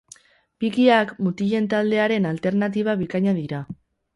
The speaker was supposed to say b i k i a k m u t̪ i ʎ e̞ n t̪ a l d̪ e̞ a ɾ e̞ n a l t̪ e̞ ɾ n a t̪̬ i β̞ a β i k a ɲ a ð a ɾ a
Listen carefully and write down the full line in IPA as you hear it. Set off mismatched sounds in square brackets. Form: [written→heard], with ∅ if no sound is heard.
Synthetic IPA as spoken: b i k i a k m u t̪ i ʎ e̞ n t̪ a l d̪ e̞ a ɾ e̞ n a l t̪ e̞ ɾ n a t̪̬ i β̞ a β i k a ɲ a ð [a→i] ɾ a